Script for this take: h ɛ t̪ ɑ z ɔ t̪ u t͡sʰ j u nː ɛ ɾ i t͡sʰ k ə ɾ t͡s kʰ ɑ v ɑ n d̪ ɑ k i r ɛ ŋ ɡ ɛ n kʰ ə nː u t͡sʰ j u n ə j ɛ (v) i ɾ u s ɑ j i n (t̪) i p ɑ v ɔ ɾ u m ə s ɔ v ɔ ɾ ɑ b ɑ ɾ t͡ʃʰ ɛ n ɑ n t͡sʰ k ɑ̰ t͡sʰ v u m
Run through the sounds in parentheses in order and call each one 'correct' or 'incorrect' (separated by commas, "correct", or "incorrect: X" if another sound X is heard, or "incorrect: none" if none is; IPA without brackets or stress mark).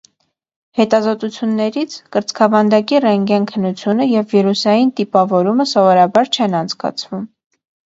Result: incorrect: vː, correct